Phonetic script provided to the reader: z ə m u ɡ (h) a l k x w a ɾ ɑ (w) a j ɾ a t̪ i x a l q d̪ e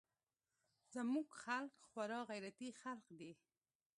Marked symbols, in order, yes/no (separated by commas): no, no